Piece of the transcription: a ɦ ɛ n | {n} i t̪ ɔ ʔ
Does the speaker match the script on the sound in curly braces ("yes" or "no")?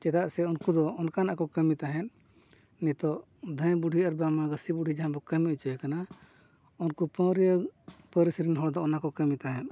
yes